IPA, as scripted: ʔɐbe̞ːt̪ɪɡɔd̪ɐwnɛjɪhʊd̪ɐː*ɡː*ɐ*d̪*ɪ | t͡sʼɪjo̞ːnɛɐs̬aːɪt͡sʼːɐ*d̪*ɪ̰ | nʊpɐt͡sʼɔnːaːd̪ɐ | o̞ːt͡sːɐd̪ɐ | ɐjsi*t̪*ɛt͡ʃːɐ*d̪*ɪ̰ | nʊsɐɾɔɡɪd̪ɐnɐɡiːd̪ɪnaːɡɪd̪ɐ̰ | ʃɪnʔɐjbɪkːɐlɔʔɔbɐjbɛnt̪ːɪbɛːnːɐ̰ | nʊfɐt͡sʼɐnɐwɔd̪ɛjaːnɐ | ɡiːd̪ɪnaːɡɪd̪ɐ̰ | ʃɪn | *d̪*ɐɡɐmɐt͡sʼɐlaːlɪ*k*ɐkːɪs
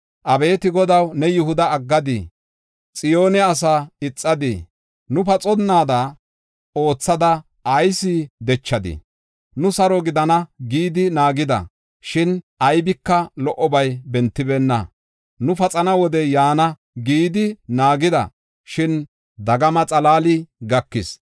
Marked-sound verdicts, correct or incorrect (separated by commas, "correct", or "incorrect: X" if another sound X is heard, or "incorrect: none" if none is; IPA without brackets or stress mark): correct, correct, correct, incorrect: d̪, correct, correct, incorrect: ɡ